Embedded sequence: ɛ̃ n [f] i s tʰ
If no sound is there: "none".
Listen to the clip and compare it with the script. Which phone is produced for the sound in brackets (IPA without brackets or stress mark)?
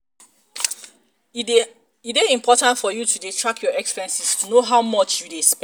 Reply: s